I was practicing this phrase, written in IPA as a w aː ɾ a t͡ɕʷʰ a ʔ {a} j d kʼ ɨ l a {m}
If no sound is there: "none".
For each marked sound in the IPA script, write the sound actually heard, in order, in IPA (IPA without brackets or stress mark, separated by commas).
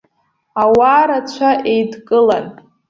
e, n